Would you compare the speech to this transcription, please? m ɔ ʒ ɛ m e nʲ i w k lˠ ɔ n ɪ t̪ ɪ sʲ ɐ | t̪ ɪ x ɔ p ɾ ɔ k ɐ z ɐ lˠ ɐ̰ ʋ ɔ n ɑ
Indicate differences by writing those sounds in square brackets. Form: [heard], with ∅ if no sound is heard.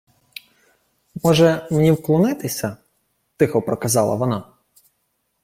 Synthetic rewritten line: m ɔ ʒ ɛ m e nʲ i w k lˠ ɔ n ɪ t̪ ɪ sʲ ɐ | t̪ ɪ x ɔ p ɾ ɔ k ɐ z [ɑ] lˠ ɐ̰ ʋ ɔ n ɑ

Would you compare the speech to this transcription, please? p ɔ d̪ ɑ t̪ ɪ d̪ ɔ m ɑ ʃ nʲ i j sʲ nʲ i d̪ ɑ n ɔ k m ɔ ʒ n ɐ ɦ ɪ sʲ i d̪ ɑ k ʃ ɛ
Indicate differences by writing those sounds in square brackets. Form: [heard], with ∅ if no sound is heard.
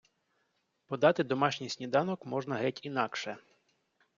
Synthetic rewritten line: p ɔ d̪ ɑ t̪ ɪ d̪ ɔ m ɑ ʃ nʲ i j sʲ nʲ i d̪ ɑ n ɔ k m ɔ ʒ n ɐ ɦ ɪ [tʲ] i [n̪] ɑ k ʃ ɛ

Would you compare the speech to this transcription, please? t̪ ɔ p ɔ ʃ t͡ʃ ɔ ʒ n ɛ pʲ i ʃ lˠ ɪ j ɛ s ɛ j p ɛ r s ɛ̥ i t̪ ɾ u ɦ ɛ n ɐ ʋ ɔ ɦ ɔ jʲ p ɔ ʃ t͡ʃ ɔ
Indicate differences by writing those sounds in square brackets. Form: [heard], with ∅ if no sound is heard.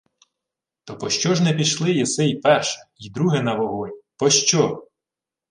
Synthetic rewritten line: t̪ ɔ p ɔ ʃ t͡ʃ ɔ ʒ n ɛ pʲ i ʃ lˠ ɪ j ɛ s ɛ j p ɛ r [ʃ] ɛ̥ i [d̪] ɾ u ɦ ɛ n ɐ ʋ ɔ ɦ ɔ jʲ p ɔ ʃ t͡ʃ ɔ

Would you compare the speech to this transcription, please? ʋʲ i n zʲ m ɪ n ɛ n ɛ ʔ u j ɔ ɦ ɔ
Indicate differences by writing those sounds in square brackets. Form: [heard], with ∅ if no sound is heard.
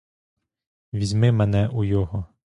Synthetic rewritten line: ʋʲ i [∅] zʲ m ɪ [m] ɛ n ɛ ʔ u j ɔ ɦ ɔ

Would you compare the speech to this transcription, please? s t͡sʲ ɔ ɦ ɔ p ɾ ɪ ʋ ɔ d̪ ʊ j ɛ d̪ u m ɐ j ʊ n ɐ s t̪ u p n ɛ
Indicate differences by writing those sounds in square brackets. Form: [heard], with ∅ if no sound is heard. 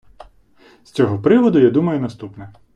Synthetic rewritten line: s t͡sʲ ɔ ɦ ɔ p ɾ ɪ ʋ ɔ d̪ ʊ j [a] d̪ u m ɐ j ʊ n ɐ s t̪ u p n ɛ

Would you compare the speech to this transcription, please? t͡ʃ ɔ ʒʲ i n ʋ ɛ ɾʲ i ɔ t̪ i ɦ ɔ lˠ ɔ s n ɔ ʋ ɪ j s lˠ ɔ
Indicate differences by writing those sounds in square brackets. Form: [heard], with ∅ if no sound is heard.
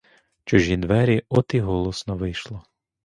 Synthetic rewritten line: t͡ʃ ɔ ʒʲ i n ʋ ɛ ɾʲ i ɔ t̪ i ɦ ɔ lˠ ɔ s n ɔ ʋ ɪ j [ʃ] lˠ ɔ

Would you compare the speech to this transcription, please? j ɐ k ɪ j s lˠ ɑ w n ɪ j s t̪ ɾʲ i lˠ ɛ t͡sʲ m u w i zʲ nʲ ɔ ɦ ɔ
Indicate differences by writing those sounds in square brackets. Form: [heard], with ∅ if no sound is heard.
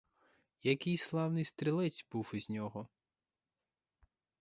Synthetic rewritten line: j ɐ k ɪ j s lˠ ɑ w n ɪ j s t̪ ɾʲ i lˠ ɛ t͡sʲ [b] u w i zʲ nʲ ɔ ɦ ɔ

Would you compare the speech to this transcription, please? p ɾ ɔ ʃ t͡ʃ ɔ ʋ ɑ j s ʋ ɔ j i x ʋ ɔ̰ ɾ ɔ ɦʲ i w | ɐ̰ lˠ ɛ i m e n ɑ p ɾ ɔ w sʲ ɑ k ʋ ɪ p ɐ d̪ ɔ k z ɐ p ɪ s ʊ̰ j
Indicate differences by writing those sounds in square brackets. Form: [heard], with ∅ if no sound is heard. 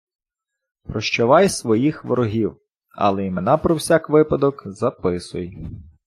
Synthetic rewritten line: p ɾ ɔ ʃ t͡ʃ ɔ ʋ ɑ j s ʋ ɔ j i x ʋ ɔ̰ ɾ ɔ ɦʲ i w | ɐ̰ lˠ ɛ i m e n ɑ p ɾ ɔ w sʲ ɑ k ʋ ɪ p ɐ d̪ ɔ k z ɐ p ɪ s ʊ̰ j

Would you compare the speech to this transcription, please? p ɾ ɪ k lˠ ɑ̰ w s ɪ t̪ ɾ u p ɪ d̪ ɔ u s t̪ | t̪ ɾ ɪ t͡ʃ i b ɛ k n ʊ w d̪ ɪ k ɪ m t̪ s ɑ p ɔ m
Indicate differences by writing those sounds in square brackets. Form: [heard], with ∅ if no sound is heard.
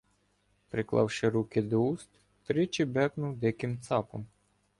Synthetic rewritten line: p ɾ ɪ k lˠ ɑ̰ w [ʃ] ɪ [∅] ɾ u [k] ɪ d̪ ɔ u s t̪ | t̪ ɾ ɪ t͡ʃ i b ɛ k n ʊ w d̪ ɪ k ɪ m t̪ s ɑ p ɔ m

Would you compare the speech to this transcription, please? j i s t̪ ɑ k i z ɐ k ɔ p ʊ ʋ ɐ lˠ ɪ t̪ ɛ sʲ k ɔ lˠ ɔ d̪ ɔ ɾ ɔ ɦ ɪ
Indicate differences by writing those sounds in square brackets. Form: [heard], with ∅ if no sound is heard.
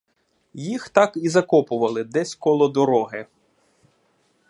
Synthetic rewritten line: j i [x] t̪ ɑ k i z ɐ k ɔ p ʊ ʋ ɐ lˠ ɪ [d̪] ɛ sʲ k ɔ lˠ ɔ d̪ ɔ ɾ ɔ ɦ ɪ

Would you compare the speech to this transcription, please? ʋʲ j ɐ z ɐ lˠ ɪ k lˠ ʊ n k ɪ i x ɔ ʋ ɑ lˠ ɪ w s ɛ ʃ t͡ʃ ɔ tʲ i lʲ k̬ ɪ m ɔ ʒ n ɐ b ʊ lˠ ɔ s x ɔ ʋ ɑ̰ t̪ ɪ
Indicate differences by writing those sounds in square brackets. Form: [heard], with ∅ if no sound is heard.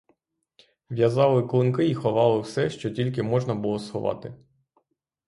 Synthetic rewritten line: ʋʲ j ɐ z [ɑ] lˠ ɪ k lˠ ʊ n k ɪ i x ɔ ʋ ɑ lˠ ɪ w s ɛ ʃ t͡ʃ ɔ tʲ i lʲ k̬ ɪ m ɔ ʒ n ɐ b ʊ lˠ ɔ s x ɔ ʋ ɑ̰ t̪ ɪ

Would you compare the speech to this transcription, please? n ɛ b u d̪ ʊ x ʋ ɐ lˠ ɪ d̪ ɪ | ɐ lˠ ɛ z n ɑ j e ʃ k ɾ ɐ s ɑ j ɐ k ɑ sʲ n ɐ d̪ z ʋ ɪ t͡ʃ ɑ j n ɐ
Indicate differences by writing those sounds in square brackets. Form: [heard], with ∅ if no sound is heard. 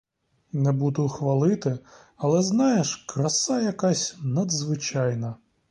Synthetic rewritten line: n ɛ b u d̪ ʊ x ʋ ɐ lˠ ɪ [t̪] ɪ | ɐ lˠ ɛ z n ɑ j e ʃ k ɾ ɐ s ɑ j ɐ k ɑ sʲ n ɐ d̪ z ʋ ɪ t͡ʃ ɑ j n ɐ

